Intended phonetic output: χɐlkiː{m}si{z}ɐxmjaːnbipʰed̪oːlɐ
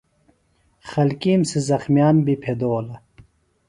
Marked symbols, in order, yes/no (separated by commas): yes, yes